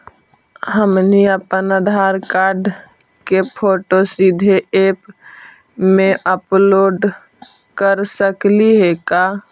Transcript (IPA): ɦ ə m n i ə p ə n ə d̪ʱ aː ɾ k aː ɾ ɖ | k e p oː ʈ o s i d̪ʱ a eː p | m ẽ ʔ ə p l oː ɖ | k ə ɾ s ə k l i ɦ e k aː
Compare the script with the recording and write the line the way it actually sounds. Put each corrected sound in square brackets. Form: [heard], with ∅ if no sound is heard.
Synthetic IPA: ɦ ə m n i ə p ə n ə d̪ʱ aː ɾ k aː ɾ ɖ | k e [pʰ] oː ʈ o s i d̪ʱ [e] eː p | m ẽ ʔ ə p l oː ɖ | k ə ɾ s ə k l i ɦ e k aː

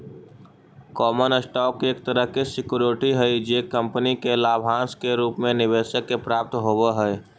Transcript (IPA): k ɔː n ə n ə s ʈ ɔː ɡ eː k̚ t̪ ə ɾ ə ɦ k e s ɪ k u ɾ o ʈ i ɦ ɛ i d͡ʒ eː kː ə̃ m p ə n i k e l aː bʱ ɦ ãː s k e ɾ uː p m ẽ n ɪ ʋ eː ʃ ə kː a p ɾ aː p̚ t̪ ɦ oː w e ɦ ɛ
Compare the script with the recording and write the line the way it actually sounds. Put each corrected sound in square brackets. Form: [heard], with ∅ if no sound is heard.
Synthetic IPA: k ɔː [m] ə n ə s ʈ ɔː [k] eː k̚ t̪ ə ɾ ə ɦ k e s ɪ k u ɾ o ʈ i ɦ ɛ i d͡ʒ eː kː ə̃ m p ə n i k e l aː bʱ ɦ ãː s k e ɾ uː p m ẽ n ɪ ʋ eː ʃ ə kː [e] p ɾ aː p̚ t̪ ɦ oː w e ɦ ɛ

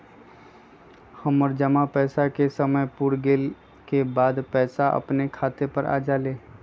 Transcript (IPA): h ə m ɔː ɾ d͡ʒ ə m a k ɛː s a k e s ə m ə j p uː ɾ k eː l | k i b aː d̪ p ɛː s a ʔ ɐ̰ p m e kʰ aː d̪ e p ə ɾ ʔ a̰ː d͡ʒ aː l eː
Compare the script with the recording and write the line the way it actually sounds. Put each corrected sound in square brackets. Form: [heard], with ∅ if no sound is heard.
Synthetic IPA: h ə m ɔː ɾ d͡ʒ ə m a [p] ɛː s a k e s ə m ə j p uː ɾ [ɡ] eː l | k [e] b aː d̪ p ɛː s a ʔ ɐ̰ p [n] e kʰ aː [t̪] e p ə ɾ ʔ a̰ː d͡ʒ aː l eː

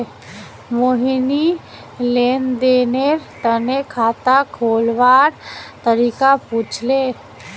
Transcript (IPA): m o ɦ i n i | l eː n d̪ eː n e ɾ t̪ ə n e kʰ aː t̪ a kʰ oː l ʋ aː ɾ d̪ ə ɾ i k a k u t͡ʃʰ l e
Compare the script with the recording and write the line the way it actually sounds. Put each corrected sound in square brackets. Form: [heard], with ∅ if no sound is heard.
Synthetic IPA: m o ɦ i n i | l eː n d̪ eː n e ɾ t̪ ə n e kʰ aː t̪ a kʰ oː l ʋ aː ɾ [t̪] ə ɾ i k a [p] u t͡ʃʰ l e

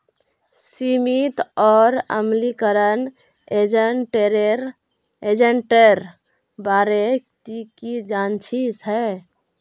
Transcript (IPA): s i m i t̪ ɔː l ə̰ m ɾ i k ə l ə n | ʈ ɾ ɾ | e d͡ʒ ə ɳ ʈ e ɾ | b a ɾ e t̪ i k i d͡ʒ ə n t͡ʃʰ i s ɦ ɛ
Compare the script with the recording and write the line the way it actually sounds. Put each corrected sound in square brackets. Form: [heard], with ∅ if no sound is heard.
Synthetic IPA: s i m i t̪ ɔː [ɾ] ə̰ m [l] i k ə [ɾ] ə n | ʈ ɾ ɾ | e d͡ʒ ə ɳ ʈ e ɾ | b a ɾ e t̪ i k i d͡ʒ [a] n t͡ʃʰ i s ɦ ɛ

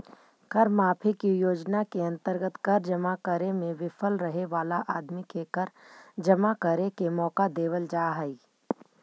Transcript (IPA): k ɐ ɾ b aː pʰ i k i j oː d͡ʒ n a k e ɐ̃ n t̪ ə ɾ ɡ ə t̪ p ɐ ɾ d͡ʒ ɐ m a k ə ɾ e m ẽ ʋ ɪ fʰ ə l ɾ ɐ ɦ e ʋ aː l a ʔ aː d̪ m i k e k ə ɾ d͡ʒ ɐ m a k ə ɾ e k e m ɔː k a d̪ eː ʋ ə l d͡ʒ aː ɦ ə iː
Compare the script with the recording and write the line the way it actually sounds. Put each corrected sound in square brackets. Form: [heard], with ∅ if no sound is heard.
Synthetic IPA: k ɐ ɾ [m] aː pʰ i k i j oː d͡ʒ n a k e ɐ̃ n t̪ ə ɾ ɡ ə t̪ [k] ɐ ɾ d͡ʒ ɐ m a k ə ɾ e m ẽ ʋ ɪ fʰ ə l ɾ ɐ ɦ e ʋ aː l a ʔ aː d̪ m i k e k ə ɾ d͡ʒ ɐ m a k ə ɾ e k e m ɔː k a d̪ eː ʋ ə l d͡ʒ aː ɦ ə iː

